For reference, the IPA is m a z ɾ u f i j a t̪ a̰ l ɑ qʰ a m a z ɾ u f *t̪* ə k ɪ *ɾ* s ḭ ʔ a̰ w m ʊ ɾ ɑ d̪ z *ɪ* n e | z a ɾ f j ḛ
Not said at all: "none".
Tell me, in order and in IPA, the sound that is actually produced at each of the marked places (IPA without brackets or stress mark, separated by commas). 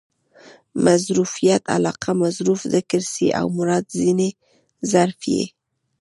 d̪, ɾ, i